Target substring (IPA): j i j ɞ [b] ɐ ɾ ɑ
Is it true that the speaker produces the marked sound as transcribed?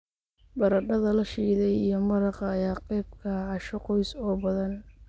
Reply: no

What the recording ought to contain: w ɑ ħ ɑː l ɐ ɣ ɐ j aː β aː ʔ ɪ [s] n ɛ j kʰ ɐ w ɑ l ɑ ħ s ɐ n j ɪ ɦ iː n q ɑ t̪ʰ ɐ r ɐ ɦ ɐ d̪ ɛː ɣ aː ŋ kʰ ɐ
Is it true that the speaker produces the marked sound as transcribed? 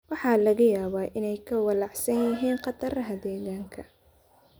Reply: no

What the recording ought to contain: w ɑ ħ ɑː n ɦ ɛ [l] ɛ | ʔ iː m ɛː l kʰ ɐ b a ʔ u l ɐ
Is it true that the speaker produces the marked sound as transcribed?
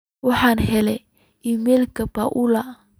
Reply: yes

